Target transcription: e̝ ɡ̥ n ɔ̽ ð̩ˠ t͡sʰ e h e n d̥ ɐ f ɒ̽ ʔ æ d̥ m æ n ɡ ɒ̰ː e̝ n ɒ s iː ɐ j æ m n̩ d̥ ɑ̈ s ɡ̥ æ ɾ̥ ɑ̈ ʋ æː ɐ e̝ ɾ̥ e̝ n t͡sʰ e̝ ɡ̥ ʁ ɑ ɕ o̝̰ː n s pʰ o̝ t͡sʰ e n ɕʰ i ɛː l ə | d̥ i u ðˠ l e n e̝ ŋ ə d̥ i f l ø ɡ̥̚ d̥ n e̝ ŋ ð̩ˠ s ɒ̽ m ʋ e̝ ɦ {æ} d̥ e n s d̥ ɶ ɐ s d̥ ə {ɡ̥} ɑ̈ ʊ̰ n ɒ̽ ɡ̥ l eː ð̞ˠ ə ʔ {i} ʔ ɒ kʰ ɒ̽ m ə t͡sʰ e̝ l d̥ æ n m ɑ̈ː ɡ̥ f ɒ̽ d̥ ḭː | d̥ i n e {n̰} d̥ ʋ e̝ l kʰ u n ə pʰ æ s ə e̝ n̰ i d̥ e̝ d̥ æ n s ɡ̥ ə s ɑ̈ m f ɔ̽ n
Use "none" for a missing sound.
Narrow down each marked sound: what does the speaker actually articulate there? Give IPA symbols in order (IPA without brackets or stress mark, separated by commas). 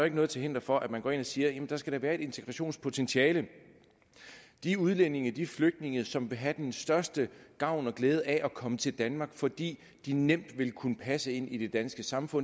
æ, ɡ̥, æ, m̰